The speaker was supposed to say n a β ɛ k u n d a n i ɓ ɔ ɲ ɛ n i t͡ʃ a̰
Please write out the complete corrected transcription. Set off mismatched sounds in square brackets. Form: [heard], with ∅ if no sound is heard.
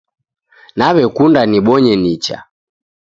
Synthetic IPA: n a β ɛ k u n d a n i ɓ ɔ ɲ ɛ n i t͡ʃ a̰